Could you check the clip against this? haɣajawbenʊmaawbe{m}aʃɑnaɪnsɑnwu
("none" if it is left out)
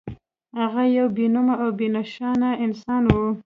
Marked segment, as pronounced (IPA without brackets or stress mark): n